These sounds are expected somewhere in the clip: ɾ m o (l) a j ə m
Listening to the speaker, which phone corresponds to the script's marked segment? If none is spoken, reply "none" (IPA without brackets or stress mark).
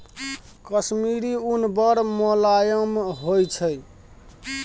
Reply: l